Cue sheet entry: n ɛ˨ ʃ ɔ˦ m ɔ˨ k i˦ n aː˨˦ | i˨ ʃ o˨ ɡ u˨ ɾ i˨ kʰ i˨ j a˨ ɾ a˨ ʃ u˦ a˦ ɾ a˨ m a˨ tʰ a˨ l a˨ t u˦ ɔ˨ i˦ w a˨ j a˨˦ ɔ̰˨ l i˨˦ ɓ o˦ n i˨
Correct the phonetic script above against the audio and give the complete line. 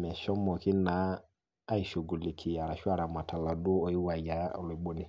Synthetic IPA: m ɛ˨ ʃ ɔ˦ m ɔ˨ k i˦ n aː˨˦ | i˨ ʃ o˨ ɡ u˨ l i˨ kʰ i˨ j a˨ ɾ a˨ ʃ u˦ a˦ ɾ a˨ m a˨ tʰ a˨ l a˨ d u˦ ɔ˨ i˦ w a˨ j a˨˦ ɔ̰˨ l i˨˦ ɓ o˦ n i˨